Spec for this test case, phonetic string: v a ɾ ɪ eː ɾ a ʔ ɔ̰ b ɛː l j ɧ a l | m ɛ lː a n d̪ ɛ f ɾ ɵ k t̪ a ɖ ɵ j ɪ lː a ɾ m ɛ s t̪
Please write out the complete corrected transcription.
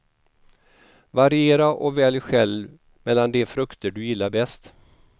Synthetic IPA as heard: v a ɾ ɪ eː ɾ a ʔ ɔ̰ v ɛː l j ɧ ɛ l | m ɛ lː a n d̪ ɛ f ɾ ɵ k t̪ ə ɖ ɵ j ɪ lː a ɾ b ɛ s t̪